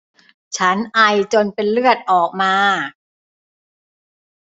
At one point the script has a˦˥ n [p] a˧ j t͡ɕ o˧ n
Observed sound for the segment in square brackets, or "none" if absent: ʔ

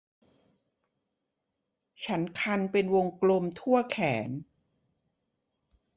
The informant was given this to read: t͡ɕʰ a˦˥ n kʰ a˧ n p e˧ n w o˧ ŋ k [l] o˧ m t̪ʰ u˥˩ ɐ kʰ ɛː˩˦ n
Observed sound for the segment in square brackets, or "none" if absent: l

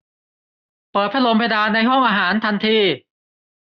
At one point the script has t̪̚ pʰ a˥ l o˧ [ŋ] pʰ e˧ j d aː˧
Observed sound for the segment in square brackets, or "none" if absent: m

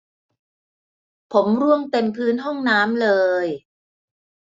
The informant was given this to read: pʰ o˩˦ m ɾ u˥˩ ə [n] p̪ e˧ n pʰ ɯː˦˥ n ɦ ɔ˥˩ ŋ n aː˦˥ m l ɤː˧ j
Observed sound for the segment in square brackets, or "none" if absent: ŋ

